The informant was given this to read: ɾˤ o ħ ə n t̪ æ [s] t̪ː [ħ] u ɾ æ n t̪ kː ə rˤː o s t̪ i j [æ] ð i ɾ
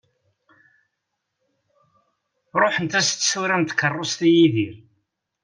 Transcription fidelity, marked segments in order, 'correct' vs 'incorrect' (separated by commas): correct, incorrect, incorrect